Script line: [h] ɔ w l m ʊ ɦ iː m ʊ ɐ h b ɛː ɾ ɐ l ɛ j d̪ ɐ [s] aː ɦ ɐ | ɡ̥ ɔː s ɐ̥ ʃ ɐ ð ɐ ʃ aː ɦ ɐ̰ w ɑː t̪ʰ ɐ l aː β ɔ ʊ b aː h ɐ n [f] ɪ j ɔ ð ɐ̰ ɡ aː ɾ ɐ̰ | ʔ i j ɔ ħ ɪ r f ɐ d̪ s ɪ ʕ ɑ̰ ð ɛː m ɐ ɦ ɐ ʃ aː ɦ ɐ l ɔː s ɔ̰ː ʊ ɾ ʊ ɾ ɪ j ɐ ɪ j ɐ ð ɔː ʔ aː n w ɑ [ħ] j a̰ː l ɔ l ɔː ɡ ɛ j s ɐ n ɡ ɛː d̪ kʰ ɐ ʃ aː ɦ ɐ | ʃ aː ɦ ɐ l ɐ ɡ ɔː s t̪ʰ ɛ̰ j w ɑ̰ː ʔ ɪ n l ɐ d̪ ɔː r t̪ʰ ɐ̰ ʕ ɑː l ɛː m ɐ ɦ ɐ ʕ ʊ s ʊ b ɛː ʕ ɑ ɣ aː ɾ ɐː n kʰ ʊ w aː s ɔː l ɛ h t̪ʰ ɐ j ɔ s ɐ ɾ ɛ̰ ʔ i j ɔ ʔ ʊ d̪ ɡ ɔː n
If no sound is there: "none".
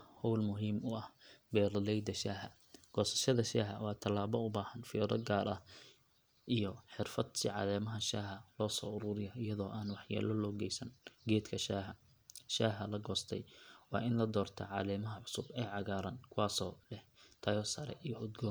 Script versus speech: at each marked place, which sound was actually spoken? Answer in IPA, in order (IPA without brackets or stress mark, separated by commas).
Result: h, ʃ, f, ħ